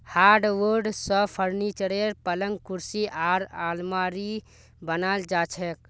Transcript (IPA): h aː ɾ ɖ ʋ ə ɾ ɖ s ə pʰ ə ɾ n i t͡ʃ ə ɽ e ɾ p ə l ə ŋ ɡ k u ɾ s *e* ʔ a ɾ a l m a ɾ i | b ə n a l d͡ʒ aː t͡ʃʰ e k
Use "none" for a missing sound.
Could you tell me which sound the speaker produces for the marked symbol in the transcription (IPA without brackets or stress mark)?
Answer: i